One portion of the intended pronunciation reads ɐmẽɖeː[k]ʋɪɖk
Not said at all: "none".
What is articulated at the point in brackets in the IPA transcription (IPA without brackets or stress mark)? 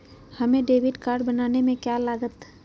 none